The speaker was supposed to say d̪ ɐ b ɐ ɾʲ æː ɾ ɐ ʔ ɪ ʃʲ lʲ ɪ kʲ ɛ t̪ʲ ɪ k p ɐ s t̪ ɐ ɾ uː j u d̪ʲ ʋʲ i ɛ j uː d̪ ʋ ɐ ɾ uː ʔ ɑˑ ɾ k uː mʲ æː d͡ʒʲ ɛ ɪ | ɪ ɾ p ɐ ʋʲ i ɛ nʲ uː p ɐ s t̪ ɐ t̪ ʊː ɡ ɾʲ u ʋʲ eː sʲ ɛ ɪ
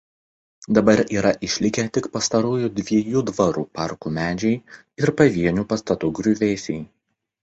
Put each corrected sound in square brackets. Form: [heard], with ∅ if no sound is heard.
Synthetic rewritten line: d̪ ɐ b ɐ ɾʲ [iː] ɾ ɐ ʔ ɪ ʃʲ lʲ ɪ kʲ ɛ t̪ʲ ɪ k p ɐ s t̪ ɐ ɾ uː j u d̪ʲ ʋʲ i ɛ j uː d̪ ʋ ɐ ɾ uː [p] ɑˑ ɾ k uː mʲ æː d͡ʒʲ ɛ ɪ | ɪ ɾ p ɐ ʋʲ i ɛ nʲ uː p ɐ s t̪ ɐ t̪ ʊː ɡ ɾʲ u ʋʲ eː sʲ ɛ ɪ